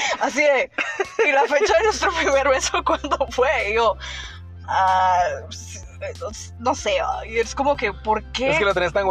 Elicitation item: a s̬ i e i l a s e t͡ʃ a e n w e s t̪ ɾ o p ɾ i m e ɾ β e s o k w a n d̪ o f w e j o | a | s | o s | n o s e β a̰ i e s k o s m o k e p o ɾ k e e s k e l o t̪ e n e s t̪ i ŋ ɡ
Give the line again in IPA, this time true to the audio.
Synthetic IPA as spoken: a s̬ i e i l a f e t͡ʃ a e n w e s t̪ ɾ o p ɾ i m e ɾ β e s o k w a n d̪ o f w e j o | a | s | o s | n o s e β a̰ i e s k o m o k e p o ɾ k e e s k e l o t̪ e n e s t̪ a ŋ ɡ